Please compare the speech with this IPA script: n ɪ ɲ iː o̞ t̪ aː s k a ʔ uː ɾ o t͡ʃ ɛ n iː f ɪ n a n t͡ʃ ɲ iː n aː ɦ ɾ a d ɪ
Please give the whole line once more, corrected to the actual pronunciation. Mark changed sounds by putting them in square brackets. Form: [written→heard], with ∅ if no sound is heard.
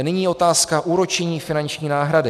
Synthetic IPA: n ɪ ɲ iː o̞ t̪ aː s k a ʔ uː ɾ o t͡ʃ ɛ [n→ɲ] iː f ɪ n a n t͡ʃ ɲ iː n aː ɦ ɾ a d ɪ